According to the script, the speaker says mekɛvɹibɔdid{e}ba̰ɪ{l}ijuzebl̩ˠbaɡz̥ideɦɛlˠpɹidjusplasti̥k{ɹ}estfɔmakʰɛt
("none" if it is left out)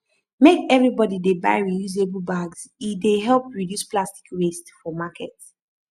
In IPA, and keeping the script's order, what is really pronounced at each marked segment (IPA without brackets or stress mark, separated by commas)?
e, ɹ, ɹ